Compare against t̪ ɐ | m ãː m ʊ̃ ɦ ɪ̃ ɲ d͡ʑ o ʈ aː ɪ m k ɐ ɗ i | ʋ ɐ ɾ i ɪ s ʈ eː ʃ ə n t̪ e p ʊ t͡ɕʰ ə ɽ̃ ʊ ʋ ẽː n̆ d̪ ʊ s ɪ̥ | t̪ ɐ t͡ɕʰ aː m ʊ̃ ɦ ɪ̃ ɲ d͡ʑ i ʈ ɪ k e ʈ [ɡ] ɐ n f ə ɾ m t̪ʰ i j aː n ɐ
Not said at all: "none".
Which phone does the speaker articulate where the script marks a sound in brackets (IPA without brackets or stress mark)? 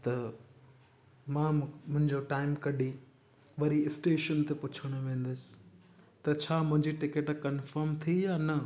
k